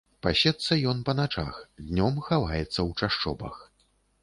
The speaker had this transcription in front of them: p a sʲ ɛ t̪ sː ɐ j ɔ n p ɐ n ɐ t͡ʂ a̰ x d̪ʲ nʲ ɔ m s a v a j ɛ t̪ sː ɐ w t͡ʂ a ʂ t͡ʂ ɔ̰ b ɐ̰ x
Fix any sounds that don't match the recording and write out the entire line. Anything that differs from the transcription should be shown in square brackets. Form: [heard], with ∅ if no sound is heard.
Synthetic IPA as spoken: p a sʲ ɛ t̪ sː ɐ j ɔ n p ɐ n [a] t͡ʂ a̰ x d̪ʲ nʲ ɔ m [x] a v a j ɛ t̪ sː ɐ w t͡ʂ a ʂ t͡ʂ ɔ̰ b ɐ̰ x